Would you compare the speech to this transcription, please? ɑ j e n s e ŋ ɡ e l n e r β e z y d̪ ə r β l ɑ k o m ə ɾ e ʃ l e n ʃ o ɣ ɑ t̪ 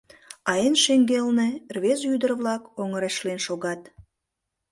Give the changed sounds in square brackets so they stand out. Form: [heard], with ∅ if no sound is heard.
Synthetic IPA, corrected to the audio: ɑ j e n [ʃ] e ŋ ɡ e l n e r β e z y d̪ ə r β l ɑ k o [ŋ] ə ɾ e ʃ l e n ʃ o ɣ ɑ t̪